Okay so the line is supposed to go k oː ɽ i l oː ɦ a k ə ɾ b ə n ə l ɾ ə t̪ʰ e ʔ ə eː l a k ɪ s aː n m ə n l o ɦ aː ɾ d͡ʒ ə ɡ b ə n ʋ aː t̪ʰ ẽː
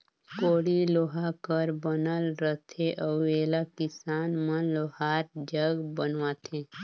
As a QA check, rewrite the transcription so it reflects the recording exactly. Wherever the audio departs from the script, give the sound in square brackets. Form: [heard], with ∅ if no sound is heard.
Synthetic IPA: k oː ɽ i l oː ɦ a k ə ɾ b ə n ə l ɾ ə t̪ʰ e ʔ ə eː l a k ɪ s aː n m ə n l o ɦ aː ɾ d͡ʒ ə ɡ b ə n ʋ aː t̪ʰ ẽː

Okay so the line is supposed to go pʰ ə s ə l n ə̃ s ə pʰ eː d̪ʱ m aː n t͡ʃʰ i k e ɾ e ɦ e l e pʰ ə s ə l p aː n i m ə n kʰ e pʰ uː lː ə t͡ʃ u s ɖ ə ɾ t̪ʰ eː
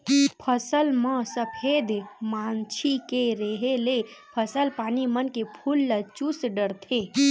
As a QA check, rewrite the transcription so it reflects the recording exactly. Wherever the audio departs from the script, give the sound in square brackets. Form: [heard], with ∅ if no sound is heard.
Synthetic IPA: pʰ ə s ə l [m] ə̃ s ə pʰ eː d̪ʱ m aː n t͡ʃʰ i k e ɾ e ɦ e l e pʰ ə s ə l p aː n i m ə n [k] e pʰ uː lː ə t͡ʃ u s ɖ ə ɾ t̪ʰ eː

